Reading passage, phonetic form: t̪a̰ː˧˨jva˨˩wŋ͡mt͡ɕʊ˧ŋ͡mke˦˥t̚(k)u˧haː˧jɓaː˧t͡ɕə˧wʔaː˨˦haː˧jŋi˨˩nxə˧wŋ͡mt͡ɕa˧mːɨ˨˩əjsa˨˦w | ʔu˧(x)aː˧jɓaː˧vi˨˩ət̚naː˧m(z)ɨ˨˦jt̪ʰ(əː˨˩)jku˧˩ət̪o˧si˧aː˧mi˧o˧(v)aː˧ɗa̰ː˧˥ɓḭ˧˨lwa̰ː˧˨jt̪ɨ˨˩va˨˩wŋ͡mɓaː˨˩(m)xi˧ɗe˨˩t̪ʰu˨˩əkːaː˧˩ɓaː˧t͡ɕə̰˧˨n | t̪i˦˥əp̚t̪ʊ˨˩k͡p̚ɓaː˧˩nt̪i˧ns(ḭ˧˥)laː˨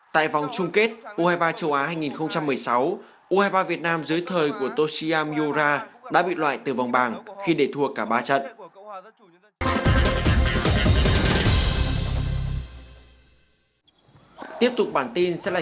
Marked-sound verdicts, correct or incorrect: incorrect: ʔ, incorrect: h, correct, correct, incorrect: z, incorrect: ŋ, incorrect: ɛ̰˧˥

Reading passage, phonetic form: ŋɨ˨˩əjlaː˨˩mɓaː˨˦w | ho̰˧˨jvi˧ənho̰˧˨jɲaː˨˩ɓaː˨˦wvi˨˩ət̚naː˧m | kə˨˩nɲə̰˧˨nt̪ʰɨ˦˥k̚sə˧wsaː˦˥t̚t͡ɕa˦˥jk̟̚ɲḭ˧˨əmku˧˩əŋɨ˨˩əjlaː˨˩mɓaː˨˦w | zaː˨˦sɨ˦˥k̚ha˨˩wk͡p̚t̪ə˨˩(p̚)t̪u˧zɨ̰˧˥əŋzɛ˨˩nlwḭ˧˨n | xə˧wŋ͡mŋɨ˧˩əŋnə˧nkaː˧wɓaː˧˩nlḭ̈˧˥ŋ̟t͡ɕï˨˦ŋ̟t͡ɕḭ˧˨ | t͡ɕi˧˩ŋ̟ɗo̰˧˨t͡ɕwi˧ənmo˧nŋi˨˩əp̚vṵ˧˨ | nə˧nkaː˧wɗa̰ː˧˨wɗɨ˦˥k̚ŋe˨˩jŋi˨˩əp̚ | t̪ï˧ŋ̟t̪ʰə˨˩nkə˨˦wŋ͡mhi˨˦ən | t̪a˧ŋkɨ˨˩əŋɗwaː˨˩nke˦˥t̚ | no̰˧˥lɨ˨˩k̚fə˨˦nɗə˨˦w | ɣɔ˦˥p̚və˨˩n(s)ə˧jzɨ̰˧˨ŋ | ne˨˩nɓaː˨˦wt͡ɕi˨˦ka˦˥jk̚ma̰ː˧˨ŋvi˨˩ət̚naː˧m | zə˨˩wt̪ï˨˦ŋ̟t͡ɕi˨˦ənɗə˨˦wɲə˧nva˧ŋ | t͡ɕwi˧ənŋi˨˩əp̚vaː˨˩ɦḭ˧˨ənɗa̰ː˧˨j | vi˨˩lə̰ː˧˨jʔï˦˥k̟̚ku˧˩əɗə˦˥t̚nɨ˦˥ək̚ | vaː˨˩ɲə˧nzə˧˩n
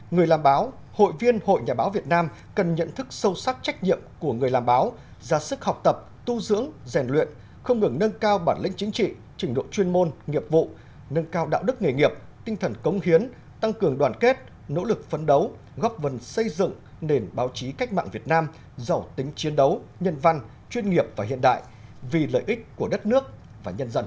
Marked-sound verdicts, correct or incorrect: correct, correct

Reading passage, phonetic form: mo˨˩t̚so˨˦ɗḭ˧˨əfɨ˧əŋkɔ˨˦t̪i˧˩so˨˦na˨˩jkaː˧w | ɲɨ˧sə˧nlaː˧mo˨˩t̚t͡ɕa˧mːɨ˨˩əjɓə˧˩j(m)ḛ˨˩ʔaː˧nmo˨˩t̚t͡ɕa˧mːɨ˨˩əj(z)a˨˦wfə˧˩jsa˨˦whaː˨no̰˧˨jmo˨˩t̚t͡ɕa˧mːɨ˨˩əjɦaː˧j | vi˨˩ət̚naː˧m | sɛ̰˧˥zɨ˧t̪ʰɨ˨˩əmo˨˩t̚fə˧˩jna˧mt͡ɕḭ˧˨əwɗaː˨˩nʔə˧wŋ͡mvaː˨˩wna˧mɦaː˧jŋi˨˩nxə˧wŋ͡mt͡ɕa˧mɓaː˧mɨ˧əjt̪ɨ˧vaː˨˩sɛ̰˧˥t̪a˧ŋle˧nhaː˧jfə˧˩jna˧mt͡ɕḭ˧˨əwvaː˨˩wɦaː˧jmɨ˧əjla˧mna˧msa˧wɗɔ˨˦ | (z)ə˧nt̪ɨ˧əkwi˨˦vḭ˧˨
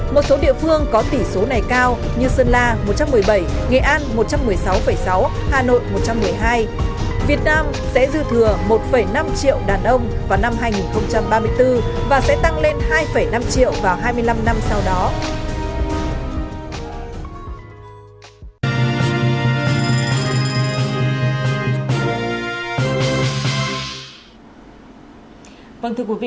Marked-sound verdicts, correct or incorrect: incorrect: ŋ, incorrect: s, incorrect: v

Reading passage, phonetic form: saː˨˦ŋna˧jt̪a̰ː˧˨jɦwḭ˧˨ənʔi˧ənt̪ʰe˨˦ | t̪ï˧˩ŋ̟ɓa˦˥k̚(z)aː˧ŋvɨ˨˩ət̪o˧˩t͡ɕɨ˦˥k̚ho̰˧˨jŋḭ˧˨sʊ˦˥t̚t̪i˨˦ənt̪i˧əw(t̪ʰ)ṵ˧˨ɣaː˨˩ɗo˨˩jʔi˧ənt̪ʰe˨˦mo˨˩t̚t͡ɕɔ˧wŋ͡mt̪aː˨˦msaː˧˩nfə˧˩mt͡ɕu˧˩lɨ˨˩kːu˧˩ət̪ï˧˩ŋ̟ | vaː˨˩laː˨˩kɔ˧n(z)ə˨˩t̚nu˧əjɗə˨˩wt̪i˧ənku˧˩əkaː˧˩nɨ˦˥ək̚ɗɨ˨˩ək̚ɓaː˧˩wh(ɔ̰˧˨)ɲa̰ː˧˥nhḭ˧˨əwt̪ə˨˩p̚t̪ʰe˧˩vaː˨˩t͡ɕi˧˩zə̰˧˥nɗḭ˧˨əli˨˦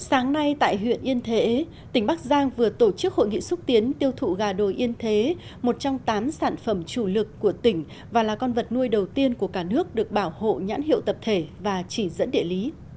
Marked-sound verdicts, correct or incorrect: correct, correct, incorrect: v, incorrect: o̰˧˨

